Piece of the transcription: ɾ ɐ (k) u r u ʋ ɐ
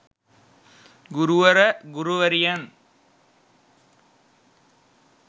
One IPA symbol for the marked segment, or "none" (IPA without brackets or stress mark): ɡ